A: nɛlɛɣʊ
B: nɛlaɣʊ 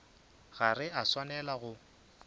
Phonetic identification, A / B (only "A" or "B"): B